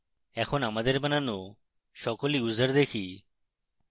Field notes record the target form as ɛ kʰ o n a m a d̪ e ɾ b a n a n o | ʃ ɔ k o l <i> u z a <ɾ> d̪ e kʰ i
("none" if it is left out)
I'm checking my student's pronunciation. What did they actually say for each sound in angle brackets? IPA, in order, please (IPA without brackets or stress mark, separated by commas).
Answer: i, ɾ